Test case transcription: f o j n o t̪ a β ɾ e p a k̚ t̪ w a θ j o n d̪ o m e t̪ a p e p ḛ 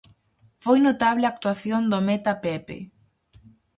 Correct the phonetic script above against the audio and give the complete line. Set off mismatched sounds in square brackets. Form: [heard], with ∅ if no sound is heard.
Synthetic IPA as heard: f o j n o t̪ a β [l] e [∅] a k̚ t̪ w a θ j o n d̪ o m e t̪ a p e p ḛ